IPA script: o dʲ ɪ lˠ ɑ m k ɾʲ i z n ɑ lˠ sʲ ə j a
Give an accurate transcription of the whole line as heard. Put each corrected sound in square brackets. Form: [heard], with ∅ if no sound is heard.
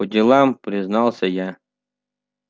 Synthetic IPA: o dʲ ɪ lˠ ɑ m [p] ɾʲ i z n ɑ lˠ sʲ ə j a

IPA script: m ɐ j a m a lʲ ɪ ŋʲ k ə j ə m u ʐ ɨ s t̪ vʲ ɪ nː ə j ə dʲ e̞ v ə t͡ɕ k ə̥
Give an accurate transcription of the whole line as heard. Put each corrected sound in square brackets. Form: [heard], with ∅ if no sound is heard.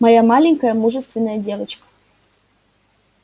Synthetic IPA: m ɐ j a m a lʲ ɪ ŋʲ k ə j ə m u ʐ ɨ s t̪ vʲ ɪ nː ə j ə dʲ e̞ v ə t͡ɕ k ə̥

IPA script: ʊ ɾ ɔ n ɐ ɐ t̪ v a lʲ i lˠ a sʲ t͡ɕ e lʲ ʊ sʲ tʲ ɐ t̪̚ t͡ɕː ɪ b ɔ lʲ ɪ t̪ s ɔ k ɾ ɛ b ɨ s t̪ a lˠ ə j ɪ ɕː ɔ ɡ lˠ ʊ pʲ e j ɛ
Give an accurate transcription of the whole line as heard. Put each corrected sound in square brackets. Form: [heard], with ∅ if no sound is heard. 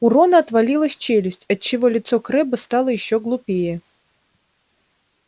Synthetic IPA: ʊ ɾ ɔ n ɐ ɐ t̪ v a lʲ i lˠ [ə] sʲ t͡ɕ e lʲ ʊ sʲ tʲ ɐ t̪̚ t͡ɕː ɪ [v] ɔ lʲ ɪ t̪ s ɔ k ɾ ɛ b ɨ s t̪ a lˠ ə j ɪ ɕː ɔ ɡ lˠ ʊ pʲ e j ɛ

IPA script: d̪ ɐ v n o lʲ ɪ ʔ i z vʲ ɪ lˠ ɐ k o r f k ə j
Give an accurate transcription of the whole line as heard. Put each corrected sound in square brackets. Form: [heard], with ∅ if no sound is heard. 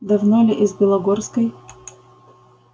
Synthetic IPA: d̪ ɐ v n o lʲ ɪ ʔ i z [bʲ] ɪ lˠ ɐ [ɡ] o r [s] k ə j

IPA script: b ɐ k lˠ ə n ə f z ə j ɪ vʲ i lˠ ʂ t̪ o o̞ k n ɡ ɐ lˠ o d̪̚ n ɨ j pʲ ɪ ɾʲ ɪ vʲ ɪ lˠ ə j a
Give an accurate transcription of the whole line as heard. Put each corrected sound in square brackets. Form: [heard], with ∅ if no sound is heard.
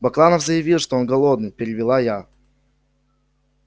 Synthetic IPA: b ɐ k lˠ [a] n ə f z ə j ɪ vʲ i lˠ ʂ t̪ o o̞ [∅] n ɡ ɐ lˠ o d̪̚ n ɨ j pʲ ɪ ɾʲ ɪ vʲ ɪ lˠ [a] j a

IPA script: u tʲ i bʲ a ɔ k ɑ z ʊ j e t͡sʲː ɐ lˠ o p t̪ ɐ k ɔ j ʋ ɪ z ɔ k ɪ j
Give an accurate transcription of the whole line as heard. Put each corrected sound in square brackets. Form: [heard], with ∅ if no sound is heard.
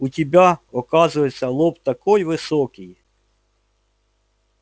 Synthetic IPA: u tʲ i bʲ a ɔ k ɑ z ʊ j e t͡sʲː ɐ lˠ [ɔ] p t̪ ɐ k ɔ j ʋ ɪ [s] ɔ k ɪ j

